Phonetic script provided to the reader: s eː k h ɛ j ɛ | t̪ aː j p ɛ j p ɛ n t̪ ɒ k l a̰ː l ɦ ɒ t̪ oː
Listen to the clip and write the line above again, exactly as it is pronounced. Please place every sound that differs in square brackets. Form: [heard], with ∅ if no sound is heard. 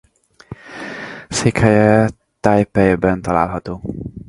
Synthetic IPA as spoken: s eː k h ɛ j ɛ | t̪ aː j p ɛ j [b] ɛ n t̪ ɒ [∅] l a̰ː l ɦ ɒ t̪ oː